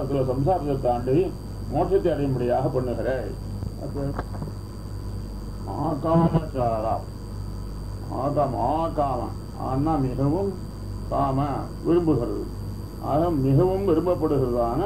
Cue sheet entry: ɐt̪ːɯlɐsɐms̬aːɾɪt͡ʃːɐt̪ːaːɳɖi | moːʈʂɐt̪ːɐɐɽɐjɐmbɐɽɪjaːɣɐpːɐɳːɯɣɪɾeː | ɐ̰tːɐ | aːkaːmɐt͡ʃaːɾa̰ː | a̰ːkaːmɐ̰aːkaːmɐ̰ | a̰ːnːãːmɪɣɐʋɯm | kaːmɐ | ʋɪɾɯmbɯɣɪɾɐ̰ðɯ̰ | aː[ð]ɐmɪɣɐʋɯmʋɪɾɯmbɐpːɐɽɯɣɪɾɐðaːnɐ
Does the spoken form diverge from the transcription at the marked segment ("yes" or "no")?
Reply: yes